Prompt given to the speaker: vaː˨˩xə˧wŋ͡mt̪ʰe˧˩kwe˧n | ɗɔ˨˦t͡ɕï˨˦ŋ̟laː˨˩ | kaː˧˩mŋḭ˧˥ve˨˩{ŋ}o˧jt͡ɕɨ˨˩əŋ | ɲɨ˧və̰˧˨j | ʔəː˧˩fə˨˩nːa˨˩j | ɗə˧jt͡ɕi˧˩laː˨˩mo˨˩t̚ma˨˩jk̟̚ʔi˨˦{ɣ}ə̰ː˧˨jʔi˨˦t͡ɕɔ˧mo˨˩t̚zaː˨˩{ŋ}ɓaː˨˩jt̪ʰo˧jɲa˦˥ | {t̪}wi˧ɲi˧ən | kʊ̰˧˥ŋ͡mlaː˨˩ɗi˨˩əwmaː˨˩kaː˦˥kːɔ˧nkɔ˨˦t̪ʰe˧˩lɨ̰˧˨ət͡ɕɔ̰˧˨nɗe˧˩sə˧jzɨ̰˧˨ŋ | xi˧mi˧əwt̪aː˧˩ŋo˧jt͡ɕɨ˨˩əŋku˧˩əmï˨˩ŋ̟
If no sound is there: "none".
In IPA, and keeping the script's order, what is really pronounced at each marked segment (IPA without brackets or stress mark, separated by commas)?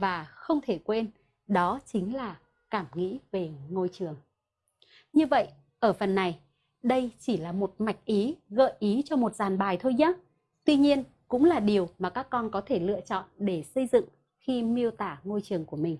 ŋ, ɣ, n, t̪